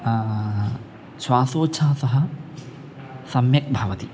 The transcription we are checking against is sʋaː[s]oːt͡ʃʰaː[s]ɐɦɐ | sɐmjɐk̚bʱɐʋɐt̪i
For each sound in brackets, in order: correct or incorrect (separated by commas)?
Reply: correct, correct